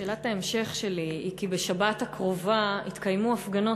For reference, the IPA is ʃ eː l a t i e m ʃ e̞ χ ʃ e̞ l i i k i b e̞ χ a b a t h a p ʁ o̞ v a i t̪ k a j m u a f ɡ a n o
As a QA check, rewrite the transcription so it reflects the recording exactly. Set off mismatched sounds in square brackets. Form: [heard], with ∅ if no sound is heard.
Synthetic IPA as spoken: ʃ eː l a t [a] e m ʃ e̞ χ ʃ e̞ l i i k i b e̞ [ʃ] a b a t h a [k] ʁ o̞ v a i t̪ k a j m u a f ɡ a n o